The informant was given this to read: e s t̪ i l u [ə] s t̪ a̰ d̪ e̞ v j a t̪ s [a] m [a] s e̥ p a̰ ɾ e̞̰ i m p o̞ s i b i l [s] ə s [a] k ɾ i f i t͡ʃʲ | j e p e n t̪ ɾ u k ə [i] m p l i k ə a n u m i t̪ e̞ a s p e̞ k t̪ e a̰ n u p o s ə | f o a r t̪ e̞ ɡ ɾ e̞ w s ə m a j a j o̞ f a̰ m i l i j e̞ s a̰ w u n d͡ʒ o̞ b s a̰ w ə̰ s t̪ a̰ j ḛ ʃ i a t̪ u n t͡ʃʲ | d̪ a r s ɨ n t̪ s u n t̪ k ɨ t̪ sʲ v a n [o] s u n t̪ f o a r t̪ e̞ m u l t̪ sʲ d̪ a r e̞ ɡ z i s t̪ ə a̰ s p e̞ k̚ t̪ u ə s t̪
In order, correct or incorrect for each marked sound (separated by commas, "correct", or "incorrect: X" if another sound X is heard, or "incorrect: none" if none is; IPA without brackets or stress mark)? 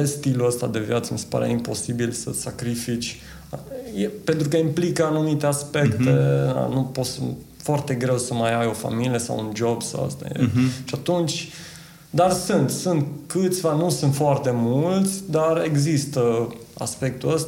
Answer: correct, incorrect: ə, incorrect: i, correct, correct, correct, incorrect: u